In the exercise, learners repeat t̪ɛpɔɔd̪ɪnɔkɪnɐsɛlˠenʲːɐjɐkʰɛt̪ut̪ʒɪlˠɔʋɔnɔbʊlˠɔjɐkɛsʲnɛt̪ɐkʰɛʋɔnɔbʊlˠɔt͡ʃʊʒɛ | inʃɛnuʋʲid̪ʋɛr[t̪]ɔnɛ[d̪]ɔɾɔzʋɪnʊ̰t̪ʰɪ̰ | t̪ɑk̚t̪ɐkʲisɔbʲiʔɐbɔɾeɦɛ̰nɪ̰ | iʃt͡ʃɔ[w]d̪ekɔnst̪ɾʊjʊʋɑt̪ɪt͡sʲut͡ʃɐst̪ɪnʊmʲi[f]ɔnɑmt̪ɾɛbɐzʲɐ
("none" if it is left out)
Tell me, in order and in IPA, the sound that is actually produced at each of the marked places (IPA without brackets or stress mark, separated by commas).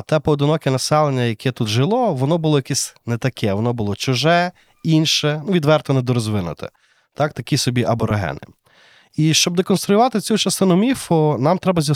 t̪, d̪, b, f